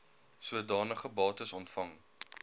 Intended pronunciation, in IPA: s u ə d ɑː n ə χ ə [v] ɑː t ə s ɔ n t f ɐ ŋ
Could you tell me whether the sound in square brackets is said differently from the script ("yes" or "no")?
yes